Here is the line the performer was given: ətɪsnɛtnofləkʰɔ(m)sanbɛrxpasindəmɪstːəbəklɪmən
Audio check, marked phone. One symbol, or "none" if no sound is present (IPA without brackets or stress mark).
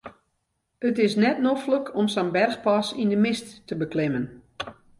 m